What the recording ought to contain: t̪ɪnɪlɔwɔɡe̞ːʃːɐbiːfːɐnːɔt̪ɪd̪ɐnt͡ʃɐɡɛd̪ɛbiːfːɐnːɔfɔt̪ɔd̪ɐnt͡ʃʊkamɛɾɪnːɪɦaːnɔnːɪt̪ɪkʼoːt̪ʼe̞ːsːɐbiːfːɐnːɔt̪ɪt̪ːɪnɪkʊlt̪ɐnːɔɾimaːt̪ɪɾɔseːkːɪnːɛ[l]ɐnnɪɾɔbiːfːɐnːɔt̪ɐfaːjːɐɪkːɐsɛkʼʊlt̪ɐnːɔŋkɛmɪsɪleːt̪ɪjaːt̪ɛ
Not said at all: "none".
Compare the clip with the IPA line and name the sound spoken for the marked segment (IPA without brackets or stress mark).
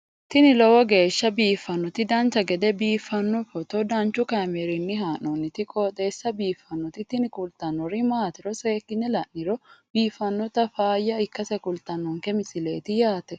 l